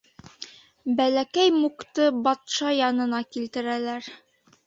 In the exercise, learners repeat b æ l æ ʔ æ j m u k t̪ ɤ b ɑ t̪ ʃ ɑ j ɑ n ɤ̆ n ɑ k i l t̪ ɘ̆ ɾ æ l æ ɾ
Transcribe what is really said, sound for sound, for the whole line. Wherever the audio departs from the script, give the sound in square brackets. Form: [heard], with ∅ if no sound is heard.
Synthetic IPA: b æ l æ [k] æ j m u k t̪ ɤ b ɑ t̪ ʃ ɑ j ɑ n ɤ̆ n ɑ k i l t̪ ɘ̆ ɾ æ l æ ɾ